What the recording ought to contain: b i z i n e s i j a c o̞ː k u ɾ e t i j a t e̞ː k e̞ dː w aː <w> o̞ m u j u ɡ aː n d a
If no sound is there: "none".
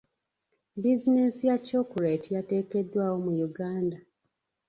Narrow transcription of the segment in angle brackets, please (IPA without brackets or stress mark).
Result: w